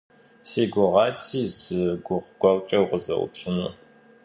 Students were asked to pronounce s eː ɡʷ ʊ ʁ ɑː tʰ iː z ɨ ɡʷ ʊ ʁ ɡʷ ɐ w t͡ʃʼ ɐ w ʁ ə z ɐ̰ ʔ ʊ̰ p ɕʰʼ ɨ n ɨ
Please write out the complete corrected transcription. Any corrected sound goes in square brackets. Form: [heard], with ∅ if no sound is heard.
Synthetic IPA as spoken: s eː ɡʷ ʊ ʁ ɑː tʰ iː z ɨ ɡʷ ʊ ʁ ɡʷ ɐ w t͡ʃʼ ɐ w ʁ ə z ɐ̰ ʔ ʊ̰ p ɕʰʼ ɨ n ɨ